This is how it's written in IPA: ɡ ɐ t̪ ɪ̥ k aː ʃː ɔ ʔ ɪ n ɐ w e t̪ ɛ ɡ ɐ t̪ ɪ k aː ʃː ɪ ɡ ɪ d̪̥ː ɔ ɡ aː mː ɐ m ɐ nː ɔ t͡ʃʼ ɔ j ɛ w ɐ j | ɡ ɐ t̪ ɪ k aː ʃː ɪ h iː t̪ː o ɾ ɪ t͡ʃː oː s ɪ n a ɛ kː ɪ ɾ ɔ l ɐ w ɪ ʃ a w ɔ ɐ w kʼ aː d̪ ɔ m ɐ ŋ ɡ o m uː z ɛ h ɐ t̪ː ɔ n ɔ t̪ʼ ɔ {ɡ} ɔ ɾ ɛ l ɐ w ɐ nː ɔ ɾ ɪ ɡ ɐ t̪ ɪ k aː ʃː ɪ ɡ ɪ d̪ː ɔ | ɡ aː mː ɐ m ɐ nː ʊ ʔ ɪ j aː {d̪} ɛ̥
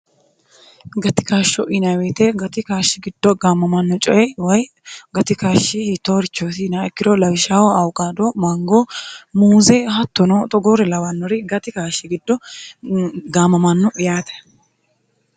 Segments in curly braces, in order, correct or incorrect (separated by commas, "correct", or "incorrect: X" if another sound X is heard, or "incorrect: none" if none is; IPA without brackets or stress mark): correct, incorrect: t̪